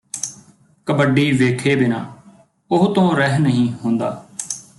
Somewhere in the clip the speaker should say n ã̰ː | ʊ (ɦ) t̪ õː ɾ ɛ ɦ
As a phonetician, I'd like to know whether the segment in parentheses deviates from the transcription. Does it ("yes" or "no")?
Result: no